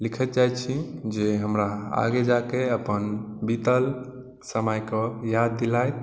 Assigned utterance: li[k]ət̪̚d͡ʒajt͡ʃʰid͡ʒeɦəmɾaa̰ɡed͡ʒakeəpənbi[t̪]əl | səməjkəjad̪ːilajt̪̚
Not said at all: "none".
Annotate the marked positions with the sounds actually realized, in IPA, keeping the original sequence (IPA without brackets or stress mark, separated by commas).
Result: kʰ, t̪